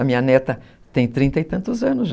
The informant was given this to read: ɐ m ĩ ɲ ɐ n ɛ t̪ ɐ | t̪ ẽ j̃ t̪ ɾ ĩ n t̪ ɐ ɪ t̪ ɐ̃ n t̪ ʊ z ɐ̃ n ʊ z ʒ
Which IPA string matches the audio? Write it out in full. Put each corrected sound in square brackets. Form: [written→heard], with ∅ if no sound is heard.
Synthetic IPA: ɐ m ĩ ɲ ɐ n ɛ t̪ ɐ | t̪ ẽ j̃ t̪ ɾ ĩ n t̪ ɐ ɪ t̪ ɐ̃ n t̪ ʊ z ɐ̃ n ʊ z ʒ